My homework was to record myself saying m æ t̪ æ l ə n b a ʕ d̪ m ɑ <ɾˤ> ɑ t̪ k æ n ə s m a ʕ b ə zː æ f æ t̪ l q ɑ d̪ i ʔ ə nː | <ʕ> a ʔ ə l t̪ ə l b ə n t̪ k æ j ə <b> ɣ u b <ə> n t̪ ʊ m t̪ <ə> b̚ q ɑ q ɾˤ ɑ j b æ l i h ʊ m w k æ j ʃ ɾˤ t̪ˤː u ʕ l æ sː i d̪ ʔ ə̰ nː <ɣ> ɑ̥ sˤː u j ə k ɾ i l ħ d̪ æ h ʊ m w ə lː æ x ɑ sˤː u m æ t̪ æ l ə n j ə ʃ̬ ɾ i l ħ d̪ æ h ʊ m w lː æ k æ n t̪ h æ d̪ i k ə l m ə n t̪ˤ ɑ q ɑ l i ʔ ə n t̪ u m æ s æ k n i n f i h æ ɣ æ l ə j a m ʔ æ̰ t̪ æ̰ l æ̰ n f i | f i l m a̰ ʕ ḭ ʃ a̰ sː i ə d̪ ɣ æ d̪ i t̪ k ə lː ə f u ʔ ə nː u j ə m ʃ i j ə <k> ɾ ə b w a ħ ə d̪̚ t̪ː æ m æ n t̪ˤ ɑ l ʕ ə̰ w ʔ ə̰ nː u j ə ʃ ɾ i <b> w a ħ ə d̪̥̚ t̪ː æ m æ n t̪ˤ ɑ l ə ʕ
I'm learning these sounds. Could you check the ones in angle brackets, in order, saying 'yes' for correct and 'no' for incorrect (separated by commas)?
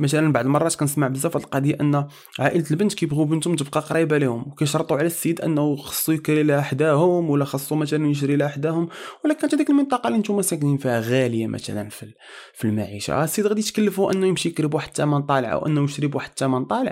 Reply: no, yes, yes, yes, yes, no, yes, yes